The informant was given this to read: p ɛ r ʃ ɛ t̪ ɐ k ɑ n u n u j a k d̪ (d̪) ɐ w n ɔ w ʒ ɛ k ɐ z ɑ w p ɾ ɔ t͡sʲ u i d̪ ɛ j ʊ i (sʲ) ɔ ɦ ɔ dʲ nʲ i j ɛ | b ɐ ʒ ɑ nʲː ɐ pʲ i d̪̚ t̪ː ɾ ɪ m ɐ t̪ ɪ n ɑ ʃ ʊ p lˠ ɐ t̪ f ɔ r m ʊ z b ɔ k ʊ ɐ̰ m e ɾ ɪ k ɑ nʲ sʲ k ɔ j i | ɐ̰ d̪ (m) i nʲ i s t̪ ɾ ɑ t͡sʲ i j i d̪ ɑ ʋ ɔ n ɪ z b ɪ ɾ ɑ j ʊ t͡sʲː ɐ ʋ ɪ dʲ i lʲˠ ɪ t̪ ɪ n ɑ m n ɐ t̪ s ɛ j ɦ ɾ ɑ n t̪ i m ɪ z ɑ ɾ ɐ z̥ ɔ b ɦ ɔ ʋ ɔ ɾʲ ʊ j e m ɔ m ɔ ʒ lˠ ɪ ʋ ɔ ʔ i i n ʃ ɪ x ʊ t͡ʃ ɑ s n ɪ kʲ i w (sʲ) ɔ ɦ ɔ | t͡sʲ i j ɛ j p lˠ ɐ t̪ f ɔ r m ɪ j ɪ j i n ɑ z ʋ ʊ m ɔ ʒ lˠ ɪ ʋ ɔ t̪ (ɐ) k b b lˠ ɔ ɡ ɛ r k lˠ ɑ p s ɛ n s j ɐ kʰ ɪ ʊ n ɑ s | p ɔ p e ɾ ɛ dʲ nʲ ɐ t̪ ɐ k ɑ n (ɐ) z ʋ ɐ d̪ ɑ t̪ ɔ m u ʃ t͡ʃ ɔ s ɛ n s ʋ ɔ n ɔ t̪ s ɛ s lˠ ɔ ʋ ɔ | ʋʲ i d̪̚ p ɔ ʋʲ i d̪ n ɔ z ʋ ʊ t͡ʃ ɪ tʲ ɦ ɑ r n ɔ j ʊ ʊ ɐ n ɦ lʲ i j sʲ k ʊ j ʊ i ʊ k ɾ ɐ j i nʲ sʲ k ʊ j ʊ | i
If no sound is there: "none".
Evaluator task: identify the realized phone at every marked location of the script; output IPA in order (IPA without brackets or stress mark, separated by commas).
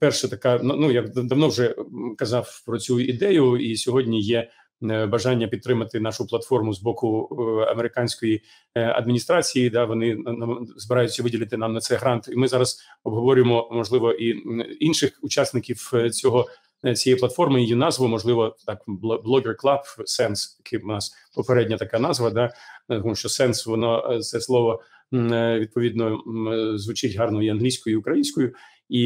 d̪, sʲ, m, t͡sʲ, ɑ, ɑ